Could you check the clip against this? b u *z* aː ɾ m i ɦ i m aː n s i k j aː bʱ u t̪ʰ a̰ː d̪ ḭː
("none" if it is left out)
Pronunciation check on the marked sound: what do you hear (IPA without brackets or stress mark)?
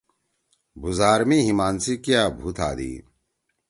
z